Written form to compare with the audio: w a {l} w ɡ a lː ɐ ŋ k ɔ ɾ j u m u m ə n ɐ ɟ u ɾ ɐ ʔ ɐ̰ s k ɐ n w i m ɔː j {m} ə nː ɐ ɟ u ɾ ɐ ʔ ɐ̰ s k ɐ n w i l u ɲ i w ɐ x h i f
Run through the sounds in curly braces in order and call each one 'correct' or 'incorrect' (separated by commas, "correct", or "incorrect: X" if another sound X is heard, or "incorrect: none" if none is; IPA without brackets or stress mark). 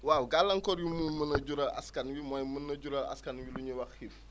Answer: incorrect: none, correct